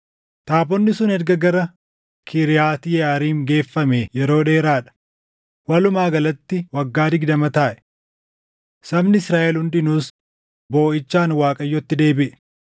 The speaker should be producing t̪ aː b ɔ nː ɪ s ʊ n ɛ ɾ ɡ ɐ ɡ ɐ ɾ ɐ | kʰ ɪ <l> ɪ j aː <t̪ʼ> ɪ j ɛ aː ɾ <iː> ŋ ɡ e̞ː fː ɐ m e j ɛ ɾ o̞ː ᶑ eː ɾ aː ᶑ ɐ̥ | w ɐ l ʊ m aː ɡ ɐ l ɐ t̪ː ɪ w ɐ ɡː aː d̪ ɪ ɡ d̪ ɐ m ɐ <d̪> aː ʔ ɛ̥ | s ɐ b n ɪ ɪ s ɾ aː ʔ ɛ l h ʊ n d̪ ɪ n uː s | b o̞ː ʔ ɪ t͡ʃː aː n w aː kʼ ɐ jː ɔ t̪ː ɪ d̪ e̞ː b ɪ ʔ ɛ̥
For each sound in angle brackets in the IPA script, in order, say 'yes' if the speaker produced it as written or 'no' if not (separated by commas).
no, no, yes, no